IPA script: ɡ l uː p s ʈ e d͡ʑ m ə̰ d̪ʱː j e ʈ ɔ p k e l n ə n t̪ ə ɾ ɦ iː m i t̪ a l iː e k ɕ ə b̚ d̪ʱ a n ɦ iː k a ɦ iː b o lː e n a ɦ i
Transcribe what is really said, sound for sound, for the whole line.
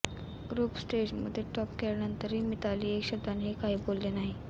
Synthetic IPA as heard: ɡ ɾ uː p s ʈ e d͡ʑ m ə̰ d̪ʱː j e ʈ ɔ p k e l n ə n t̪ ə ɾ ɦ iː m i t̪ a l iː e k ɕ ə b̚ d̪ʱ a n ɦ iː k a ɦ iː b o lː e n a ɦ i

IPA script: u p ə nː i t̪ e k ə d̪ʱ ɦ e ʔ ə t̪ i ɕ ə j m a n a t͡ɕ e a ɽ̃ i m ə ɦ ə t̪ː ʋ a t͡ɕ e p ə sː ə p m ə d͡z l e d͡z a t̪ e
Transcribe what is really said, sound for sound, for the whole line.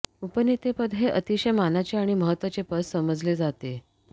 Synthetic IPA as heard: u p ə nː i t̪ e p ə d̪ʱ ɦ e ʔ ə t̪ i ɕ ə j m a n a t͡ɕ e a ɽ̃ i m ə ɦ ə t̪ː ʋ a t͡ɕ e p ə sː ə m ə d͡z l e d͡z a t̪ e

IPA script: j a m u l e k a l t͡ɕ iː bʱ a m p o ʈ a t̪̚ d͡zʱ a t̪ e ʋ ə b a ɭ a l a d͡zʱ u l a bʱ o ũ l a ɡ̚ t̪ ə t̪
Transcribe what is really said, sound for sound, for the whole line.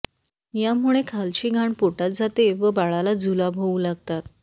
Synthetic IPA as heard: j a m u ɭ e kʰ a l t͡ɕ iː ɡʱ a ɳ p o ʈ a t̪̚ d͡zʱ a t̪ e ʋ ə b a ɭ a l a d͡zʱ u l a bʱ o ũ l a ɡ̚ t̪ a t̪

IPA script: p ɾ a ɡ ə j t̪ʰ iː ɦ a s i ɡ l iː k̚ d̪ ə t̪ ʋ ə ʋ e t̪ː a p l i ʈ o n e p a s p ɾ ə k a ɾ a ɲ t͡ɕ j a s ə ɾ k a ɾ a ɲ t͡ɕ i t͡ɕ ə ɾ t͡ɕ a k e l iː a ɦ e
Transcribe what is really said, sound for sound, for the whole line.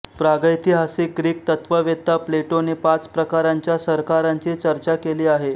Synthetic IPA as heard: p ɾ a ɡ ə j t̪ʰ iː ɦ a s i ɡ ɾ iː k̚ t̪ ə t̪ ʋ ə ʋ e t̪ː a p l e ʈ o n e p a t͡s p ɾ ə k a ɾ a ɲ t͡ɕ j a s ə ɾ k a ɾ a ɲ t͡ɕ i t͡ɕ ə ɾ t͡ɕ a k e l iː a ɦ e

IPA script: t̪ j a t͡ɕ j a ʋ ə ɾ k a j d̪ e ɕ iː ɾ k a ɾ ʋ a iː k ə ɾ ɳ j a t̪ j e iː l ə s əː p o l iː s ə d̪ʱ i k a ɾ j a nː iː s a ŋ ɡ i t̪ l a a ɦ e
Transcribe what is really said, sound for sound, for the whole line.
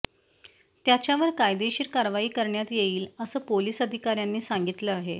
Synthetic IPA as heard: t̪ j a t͡ɕ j a ʋ ə ɾ k a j d̪ e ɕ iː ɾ k a ɾ ʋ a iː k ə ɾ ɳ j a t̪ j e iː l ə s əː p o l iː s ə d̪ʱ i k a ɾ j a nː iː s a ŋ ɡ i t̪ l ə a ɦ e

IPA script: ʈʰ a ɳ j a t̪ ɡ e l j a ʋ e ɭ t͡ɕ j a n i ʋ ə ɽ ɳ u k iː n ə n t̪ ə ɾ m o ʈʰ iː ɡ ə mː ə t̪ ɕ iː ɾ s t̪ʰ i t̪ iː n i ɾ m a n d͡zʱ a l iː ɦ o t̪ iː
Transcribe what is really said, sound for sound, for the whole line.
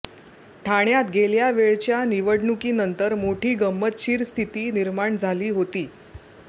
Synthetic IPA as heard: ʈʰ a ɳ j a t̪ ɡ e l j a ʋ e ɭ t͡ɕ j a n i ʋ ə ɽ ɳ u k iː n ə n t̪ ə ɾ m o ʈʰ iː ɡ ə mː ə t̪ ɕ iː ɾ s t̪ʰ i t̪ iː n i ɾ m a ɳ d͡zʱ a l iː ɦ o t̪ iː

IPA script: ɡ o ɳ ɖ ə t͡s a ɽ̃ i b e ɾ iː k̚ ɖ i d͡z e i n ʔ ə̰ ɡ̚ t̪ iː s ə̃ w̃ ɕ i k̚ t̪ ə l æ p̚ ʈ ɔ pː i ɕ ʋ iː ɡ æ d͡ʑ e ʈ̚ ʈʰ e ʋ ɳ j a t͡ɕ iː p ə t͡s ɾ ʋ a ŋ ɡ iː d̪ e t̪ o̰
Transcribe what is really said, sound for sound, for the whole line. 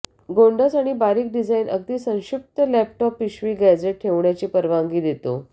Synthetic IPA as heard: ɡ o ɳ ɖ ə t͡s a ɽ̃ i b a ɾ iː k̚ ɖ i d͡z a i n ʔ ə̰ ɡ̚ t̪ iː s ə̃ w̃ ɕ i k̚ t̪ ə l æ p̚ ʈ ɔ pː i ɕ ʋ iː ɡ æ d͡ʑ e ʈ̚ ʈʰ e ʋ ɳ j a t͡ɕ iː p ə ɾ ʋ a ŋ ɡ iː d̪ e t̪ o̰

